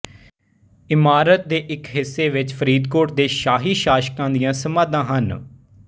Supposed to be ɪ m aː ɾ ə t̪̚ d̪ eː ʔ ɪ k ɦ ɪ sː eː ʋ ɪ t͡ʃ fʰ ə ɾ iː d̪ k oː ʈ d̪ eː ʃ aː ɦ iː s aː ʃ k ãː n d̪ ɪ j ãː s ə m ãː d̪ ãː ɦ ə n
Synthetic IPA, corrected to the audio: ɪ m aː ɾ ə t̪̚ d̪ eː ʔ ɪ k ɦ ɪ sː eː ʋ ɪ t͡ʃ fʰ ə ɾ iː d̪ k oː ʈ d̪ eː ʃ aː ɦ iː ʃ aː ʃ k ãː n d̪ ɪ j ãː s ə m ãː d̪ ãː ɦ ə n